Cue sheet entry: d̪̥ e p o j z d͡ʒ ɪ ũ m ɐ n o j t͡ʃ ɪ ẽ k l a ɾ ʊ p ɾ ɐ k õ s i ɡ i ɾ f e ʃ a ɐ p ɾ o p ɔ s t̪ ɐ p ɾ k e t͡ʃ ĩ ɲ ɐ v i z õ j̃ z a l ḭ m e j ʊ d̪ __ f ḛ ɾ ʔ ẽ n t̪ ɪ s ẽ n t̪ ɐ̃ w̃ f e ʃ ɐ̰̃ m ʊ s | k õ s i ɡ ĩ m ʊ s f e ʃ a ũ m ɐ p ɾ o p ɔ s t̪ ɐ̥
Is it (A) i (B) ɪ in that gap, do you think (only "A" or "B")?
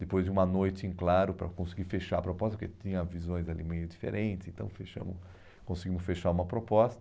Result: A